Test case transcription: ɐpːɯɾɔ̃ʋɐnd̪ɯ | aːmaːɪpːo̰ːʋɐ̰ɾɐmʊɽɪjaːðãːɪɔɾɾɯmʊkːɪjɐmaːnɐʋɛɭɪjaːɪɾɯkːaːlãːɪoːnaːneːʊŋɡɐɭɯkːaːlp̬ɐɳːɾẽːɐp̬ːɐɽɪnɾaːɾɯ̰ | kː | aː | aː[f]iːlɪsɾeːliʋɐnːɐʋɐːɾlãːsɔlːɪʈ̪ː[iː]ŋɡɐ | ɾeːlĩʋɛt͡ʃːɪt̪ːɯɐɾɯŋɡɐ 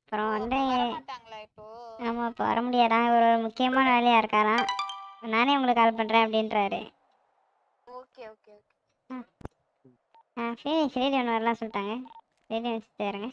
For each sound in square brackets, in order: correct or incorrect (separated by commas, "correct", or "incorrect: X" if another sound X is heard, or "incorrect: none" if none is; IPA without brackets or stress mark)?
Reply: correct, incorrect: aː